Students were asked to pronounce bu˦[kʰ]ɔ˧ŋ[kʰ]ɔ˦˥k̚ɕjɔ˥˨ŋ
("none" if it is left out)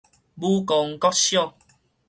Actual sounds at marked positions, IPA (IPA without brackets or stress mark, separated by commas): k, k